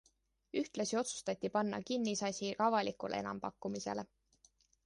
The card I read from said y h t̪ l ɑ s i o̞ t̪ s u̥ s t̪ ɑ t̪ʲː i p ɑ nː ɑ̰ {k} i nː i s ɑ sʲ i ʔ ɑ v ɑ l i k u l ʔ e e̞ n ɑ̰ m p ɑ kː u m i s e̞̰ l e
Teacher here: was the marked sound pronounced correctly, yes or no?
yes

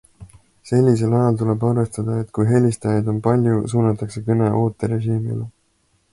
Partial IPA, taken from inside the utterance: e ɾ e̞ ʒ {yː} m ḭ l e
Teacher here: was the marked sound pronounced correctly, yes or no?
no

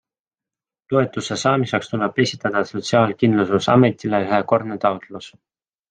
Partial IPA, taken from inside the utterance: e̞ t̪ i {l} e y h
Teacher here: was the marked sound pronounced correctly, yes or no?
yes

